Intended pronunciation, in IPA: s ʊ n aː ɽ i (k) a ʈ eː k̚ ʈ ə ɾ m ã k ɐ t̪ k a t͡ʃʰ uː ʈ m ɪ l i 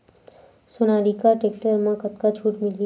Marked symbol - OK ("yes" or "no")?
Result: yes